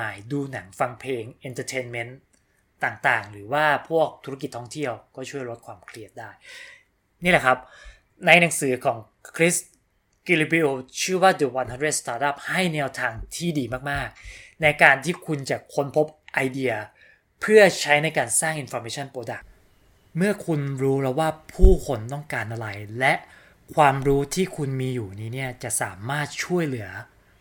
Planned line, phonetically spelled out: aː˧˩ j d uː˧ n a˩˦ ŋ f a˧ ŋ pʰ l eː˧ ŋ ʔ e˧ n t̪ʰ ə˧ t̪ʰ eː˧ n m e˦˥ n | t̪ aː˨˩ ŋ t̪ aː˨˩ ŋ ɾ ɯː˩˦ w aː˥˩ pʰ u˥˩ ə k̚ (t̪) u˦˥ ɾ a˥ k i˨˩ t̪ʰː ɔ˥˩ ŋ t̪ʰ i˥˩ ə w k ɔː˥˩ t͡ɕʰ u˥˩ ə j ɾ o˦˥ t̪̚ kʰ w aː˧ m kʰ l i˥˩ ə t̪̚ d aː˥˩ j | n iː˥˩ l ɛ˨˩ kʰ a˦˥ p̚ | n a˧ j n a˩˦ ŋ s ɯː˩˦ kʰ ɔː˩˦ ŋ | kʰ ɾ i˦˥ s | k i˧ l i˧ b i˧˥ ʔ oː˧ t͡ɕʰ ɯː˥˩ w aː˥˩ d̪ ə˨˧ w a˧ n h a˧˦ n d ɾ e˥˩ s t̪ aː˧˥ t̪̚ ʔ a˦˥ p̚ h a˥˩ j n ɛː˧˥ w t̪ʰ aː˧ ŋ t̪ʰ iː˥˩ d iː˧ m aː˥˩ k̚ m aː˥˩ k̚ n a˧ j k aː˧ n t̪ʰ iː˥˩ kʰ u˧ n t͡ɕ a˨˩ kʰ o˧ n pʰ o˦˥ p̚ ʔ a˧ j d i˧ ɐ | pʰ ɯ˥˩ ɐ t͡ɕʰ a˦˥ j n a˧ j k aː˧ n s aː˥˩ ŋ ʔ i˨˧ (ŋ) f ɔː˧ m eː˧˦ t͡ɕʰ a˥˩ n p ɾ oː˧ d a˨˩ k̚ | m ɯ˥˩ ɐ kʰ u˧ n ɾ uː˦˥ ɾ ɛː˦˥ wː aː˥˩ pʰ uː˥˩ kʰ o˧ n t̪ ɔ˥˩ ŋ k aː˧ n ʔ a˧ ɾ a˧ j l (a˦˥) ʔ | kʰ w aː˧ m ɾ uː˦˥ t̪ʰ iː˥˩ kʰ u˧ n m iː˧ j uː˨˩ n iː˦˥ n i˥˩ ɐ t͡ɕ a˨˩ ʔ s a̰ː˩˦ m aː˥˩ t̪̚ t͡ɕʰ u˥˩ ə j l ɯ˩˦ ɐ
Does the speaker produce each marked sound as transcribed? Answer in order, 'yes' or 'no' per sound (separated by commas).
no, no, no